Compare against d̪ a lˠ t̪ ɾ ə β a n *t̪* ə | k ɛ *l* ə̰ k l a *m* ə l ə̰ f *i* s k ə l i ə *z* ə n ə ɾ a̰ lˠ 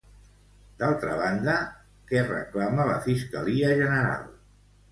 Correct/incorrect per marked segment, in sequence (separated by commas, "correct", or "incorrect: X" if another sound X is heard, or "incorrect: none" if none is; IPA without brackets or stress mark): incorrect: d̪, incorrect: r, correct, correct, incorrect: ʒ